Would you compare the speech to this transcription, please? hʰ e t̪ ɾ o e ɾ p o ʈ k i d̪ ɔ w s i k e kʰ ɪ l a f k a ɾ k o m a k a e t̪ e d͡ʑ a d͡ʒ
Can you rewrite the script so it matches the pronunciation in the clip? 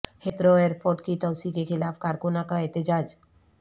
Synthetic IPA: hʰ e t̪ ɾ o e ɾ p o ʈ k i t̪ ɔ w s i k e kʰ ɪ l a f k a ɾ k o n a k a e t̪ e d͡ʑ a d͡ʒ